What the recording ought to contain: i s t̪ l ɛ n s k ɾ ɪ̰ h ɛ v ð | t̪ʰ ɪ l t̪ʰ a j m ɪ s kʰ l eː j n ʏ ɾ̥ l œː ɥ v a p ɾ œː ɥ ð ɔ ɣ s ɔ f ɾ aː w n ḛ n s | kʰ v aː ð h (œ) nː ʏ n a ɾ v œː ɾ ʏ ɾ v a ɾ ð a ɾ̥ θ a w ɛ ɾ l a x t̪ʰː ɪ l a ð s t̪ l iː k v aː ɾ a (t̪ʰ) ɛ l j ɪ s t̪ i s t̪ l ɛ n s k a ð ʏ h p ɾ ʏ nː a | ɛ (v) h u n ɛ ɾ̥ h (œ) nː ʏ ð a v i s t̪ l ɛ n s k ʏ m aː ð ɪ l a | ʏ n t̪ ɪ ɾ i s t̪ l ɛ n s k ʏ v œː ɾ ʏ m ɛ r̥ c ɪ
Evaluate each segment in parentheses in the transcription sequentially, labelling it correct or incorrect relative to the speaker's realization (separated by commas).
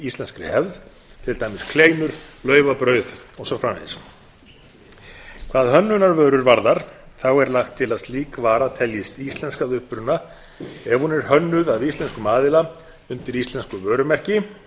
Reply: correct, correct, correct, correct